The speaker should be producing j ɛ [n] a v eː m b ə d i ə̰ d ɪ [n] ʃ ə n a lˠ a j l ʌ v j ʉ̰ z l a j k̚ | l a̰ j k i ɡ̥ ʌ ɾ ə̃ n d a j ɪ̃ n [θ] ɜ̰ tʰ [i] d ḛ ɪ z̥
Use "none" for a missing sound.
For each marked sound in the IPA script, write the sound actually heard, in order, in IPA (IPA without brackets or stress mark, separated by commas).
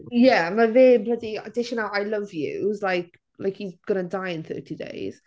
m, none, θ, i